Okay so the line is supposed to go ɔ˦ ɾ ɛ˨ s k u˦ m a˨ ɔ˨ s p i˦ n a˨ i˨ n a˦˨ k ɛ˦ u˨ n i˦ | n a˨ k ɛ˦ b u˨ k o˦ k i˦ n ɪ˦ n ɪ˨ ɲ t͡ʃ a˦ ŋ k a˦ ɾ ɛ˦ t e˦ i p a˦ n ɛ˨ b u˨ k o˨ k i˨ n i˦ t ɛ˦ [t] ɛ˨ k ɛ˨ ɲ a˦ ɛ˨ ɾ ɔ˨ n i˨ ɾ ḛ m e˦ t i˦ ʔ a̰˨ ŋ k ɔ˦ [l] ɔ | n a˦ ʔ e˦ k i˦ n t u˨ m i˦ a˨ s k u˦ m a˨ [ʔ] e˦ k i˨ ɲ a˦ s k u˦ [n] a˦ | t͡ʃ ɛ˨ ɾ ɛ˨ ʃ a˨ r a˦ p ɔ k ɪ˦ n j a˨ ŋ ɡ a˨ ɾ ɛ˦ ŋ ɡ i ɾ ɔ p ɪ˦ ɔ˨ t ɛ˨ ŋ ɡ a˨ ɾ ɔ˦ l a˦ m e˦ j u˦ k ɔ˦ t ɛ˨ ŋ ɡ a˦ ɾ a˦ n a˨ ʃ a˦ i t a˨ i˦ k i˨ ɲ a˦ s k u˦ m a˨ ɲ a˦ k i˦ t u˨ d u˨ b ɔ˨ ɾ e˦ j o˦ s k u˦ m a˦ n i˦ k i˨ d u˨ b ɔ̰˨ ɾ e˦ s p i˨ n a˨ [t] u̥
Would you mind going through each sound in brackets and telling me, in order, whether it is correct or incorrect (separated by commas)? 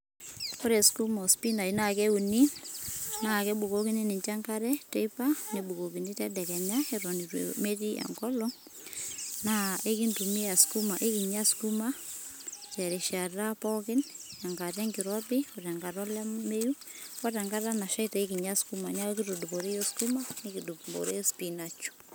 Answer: incorrect, correct, correct, incorrect, incorrect